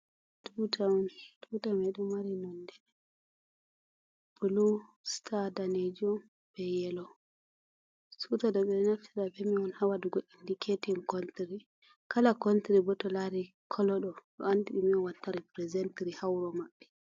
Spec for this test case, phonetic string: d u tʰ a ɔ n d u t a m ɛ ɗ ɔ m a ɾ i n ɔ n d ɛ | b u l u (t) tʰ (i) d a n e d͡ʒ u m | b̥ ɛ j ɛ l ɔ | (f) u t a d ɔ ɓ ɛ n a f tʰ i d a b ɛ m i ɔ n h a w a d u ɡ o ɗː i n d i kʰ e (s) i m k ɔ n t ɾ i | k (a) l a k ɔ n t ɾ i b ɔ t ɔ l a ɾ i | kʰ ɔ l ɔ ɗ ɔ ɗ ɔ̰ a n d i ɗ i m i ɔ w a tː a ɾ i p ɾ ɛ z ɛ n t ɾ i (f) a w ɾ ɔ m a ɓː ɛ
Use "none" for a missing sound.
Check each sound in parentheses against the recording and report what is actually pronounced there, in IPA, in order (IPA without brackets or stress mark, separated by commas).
s, a, s, t, a, h